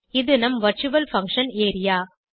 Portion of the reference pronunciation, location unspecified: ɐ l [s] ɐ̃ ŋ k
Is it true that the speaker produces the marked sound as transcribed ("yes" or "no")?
no